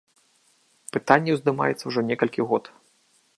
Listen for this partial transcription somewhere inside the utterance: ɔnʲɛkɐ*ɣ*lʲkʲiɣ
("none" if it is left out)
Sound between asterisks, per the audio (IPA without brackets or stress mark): none